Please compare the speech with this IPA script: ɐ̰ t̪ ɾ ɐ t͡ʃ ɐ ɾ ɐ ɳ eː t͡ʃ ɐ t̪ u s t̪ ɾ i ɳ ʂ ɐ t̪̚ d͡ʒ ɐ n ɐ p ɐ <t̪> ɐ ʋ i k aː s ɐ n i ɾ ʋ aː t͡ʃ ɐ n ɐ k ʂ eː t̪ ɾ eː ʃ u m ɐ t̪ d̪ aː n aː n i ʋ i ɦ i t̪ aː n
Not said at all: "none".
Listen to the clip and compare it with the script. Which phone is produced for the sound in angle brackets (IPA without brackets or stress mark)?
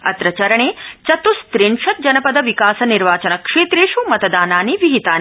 d̪